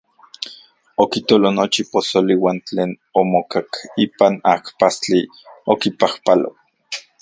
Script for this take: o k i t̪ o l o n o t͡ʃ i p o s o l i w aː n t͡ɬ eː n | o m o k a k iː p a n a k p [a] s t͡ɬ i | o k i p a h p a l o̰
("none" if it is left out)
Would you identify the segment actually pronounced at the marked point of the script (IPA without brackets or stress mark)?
a